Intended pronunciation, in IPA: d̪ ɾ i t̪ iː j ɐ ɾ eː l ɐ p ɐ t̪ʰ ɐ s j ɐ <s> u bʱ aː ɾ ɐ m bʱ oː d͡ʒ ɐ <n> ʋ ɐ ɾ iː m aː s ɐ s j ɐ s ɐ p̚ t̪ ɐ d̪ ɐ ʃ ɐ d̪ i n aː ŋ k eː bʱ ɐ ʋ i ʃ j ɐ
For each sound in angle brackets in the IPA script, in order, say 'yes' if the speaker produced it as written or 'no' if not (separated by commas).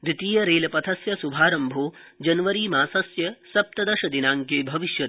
yes, yes